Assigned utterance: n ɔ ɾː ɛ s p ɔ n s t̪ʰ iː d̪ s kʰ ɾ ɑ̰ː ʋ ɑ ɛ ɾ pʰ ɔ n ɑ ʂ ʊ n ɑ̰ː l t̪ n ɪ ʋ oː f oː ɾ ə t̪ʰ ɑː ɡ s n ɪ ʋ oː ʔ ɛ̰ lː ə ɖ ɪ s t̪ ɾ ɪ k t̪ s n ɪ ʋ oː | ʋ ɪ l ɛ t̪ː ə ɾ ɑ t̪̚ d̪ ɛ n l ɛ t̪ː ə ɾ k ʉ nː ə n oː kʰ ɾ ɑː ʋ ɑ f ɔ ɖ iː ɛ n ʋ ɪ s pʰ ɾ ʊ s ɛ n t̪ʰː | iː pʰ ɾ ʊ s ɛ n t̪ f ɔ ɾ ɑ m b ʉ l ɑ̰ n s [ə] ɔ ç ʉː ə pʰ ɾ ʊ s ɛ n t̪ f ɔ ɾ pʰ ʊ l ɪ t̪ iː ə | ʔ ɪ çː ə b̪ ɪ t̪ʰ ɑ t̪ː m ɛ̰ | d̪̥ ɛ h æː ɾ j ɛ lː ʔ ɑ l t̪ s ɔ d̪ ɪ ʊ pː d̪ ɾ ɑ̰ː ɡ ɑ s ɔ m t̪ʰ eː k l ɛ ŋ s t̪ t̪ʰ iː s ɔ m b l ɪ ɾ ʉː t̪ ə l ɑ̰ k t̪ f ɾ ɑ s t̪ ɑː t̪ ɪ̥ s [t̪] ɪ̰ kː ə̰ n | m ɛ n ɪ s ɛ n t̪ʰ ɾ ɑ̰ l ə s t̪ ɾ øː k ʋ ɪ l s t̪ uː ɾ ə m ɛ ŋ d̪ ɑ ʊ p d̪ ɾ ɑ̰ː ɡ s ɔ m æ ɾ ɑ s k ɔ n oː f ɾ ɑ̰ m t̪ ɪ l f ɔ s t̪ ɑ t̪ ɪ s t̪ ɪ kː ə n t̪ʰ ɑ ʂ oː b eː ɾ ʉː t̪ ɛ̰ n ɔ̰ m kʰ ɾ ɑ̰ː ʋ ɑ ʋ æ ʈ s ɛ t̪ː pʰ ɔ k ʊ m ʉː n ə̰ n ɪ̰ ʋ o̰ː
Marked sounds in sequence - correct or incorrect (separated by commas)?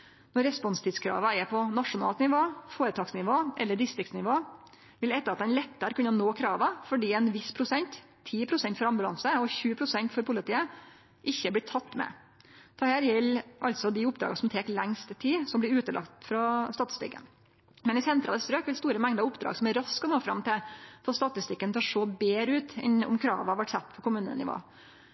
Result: correct, correct